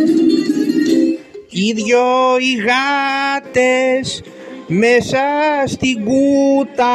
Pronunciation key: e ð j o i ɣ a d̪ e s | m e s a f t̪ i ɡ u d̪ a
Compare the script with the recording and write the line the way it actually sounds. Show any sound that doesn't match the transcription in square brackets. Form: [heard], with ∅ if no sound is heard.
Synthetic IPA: [i] ð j o i ɣ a [t̪] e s | m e s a [s] t̪ i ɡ u [t̪] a